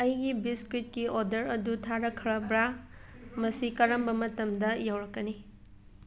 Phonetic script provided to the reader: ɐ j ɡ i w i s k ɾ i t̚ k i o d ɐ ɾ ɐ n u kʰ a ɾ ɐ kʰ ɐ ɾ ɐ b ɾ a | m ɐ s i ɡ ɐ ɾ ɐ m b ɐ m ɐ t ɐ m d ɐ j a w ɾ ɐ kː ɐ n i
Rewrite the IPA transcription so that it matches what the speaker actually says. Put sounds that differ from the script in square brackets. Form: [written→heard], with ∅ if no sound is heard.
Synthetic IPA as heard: ɐ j ɡ i [w→b] i s k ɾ i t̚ k i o d ɐ ɾ ɐ [n→d] u [kʰ→tʰ] a ɾ ɐ kʰ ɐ ɾ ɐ b ɾ a | m ɐ s i [ɡ→k] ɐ ɾ ɐ m b ɐ m ɐ t ɐ m d ɐ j a w ɾ ɐ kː ɐ n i